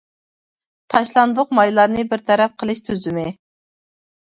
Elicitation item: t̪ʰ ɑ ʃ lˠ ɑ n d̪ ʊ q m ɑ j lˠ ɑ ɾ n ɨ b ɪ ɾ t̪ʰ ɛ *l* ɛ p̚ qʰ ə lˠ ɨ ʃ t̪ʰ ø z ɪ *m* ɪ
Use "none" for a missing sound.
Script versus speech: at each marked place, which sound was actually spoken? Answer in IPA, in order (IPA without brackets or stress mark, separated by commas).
ɾ, m